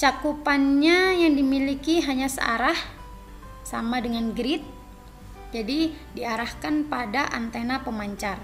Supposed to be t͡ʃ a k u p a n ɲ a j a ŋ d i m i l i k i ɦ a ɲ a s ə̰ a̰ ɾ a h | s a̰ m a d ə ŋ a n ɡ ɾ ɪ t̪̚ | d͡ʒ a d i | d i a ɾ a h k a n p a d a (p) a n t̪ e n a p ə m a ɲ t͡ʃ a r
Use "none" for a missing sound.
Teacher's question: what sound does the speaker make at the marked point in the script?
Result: ʔ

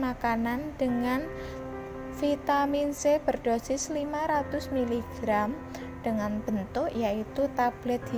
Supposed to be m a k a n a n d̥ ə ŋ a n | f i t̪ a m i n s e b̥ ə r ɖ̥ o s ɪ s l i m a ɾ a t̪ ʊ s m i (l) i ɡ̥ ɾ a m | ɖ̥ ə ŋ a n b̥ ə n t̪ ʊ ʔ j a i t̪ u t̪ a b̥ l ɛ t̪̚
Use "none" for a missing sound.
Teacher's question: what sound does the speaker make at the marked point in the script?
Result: l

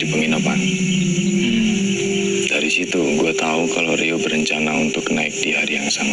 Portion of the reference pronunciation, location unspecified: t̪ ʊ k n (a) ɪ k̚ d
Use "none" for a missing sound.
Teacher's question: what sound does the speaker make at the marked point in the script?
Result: a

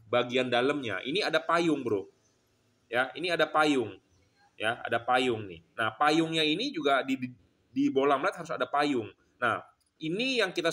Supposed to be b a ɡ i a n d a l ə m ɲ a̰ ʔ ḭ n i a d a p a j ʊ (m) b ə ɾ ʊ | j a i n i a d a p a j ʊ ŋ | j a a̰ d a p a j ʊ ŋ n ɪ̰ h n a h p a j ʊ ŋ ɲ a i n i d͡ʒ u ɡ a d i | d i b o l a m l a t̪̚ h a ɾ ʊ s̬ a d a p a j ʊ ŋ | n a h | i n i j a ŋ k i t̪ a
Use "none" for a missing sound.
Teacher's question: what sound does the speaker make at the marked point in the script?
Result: ŋ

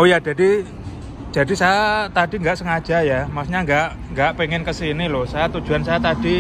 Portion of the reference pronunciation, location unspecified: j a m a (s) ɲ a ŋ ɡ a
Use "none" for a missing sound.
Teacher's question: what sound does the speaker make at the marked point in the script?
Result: s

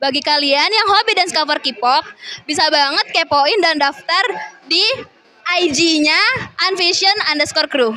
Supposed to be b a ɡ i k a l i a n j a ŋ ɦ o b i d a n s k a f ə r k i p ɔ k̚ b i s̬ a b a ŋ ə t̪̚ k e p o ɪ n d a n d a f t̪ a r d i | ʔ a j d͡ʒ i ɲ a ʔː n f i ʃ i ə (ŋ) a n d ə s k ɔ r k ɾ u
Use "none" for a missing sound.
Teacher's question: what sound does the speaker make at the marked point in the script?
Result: n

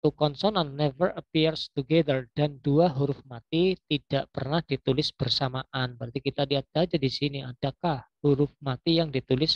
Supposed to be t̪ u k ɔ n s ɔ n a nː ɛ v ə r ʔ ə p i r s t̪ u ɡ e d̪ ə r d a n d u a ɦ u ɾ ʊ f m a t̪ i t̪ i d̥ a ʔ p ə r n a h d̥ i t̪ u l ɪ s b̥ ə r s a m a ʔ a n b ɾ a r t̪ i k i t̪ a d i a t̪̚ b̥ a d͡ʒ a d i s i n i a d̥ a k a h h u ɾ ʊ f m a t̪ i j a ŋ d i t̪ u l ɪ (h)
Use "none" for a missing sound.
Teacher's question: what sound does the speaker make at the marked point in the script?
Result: s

